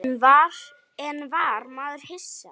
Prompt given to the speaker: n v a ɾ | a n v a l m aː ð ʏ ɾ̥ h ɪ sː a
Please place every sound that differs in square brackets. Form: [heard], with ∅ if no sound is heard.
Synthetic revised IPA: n v a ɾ | [ɛ] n v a [ɾ] m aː ð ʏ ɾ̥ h ɪ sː a